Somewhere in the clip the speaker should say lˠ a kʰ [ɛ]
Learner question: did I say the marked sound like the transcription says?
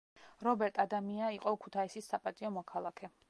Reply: yes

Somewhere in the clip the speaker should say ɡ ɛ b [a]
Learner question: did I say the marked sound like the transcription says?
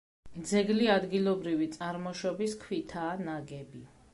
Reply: no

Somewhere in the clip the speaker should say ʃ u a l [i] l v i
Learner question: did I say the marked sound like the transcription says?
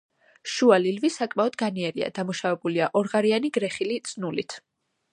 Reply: yes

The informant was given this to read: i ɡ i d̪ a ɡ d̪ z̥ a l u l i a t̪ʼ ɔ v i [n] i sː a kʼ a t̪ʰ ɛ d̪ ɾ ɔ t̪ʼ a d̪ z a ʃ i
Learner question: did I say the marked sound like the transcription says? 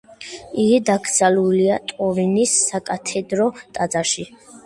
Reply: yes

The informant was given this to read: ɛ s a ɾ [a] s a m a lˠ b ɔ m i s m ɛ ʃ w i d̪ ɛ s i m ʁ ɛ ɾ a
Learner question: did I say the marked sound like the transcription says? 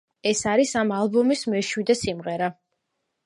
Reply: no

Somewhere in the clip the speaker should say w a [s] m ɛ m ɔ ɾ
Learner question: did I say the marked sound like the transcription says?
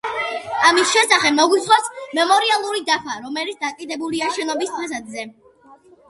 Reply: yes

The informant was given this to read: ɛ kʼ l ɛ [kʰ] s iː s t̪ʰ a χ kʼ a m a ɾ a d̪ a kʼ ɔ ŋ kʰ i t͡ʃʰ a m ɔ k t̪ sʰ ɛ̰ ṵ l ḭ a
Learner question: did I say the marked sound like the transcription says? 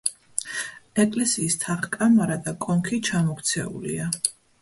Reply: no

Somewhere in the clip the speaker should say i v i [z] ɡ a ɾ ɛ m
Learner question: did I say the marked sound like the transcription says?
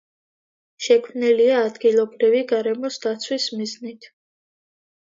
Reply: no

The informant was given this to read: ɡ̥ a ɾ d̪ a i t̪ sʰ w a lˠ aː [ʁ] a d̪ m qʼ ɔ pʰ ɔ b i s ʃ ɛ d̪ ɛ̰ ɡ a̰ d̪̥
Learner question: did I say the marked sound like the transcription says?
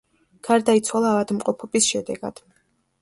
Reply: no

